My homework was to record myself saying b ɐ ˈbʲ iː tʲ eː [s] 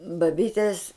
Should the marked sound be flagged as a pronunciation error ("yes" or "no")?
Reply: no